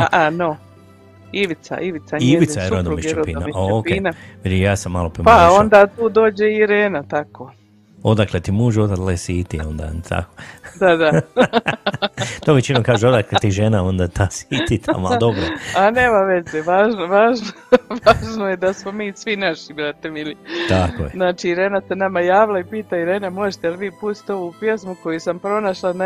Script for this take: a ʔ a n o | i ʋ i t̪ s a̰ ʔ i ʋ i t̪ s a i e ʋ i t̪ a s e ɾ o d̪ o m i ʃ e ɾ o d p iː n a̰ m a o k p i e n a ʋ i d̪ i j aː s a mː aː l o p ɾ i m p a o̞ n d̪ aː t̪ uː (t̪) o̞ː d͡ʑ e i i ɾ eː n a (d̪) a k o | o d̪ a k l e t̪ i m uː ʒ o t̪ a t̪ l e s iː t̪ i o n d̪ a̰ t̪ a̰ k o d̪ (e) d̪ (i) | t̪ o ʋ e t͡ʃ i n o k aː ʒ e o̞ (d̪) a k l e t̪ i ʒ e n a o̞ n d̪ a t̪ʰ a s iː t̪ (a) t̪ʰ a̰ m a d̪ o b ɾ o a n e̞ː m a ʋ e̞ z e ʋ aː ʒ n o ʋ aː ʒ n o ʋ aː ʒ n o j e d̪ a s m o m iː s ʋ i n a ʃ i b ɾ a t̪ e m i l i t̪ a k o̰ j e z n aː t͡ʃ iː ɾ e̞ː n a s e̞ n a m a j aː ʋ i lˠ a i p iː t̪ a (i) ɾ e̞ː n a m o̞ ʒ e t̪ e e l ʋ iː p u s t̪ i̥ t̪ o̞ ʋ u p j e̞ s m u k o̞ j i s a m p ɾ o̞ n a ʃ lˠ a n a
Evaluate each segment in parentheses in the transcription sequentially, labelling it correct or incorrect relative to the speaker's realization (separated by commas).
incorrect, incorrect, incorrect, incorrect, correct, incorrect, correct